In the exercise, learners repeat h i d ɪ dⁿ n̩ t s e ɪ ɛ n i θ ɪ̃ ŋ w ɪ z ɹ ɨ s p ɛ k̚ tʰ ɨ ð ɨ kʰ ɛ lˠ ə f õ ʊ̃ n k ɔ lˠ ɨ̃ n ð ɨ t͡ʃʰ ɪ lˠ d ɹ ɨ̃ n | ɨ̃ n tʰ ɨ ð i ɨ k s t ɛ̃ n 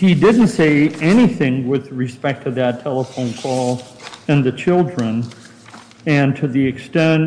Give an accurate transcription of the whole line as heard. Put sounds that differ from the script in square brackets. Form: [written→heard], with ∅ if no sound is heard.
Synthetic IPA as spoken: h i d ɪ dⁿ n̩ t s e ɪ ɛ n i θ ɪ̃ ŋ w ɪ [z→ð] ɹ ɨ s p ɛ k̚ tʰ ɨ ð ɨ [kʰ→tʰ] ɛ lˠ ə f õ ʊ̃ n [k→kʰ] ɔ lˠ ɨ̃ n ð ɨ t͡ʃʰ ɪ lˠ d ɹ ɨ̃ n | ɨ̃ n tʰ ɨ ð i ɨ k s t ɛ̃ n